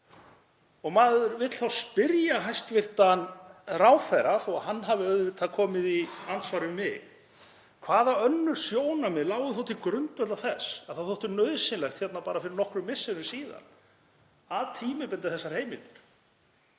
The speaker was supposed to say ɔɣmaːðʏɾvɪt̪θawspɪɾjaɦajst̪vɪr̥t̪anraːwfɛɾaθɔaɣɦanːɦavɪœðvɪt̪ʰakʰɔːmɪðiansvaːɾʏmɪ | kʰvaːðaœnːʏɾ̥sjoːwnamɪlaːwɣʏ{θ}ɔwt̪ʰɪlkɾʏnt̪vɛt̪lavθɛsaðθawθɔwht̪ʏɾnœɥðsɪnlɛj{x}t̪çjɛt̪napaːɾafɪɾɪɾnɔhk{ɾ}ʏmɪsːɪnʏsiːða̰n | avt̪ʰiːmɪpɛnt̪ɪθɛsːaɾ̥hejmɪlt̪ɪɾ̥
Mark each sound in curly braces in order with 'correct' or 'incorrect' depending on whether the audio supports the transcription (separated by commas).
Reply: correct, correct, correct